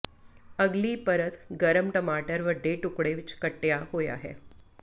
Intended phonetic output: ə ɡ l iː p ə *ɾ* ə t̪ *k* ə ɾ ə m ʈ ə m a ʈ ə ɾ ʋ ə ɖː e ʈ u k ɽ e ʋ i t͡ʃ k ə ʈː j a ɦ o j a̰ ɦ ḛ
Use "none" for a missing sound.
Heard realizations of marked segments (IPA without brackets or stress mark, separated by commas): ɾ, ɡ